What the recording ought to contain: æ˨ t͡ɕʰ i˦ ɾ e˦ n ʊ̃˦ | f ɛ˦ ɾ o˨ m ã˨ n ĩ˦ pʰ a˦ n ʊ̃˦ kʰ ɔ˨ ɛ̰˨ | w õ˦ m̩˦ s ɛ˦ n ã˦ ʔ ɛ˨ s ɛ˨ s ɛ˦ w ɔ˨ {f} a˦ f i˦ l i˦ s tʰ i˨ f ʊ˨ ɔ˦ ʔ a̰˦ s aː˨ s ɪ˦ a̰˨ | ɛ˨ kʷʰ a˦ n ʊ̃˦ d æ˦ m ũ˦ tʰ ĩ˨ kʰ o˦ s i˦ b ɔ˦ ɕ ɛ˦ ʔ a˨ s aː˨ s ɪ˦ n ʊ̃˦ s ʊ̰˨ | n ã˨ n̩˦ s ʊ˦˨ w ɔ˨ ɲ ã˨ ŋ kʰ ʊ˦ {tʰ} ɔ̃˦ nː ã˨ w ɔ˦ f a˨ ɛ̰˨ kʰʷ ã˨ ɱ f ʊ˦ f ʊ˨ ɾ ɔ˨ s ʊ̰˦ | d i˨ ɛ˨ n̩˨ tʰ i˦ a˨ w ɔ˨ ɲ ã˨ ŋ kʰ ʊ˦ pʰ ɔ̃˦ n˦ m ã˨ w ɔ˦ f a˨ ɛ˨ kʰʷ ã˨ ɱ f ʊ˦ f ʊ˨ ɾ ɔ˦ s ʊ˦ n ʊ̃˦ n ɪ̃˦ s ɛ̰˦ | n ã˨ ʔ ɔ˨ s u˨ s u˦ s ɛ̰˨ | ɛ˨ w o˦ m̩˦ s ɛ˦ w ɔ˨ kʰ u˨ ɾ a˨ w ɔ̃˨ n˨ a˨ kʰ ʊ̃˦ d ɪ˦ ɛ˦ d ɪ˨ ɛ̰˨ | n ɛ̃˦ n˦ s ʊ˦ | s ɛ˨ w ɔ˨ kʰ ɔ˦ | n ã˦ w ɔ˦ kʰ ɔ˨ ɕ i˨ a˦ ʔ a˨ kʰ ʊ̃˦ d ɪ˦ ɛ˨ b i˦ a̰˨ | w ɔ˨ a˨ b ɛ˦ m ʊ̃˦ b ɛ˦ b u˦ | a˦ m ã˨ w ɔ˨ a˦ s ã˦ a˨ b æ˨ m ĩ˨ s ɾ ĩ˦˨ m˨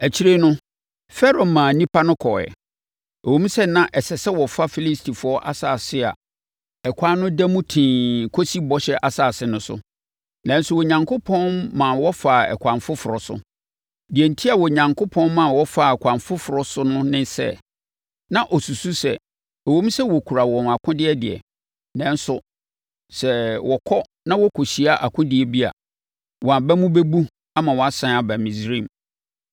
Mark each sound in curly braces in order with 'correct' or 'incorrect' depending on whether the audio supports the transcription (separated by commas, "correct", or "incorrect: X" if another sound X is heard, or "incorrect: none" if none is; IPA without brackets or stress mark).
correct, incorrect: pʰ